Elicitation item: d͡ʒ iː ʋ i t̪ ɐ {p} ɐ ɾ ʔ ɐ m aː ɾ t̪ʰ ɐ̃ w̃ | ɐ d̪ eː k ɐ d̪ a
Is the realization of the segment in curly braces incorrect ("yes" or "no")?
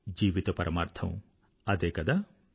no